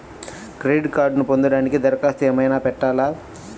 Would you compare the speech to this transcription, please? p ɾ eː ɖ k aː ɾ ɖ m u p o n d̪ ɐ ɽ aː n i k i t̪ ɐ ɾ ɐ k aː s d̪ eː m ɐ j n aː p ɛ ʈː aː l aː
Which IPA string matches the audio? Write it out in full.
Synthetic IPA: k ɾ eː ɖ k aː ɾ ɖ n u p o n d̪ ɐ ɽ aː n i k i d̪ ɐ ɾ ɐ k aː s t̪ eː m ɐ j n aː p ɛ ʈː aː l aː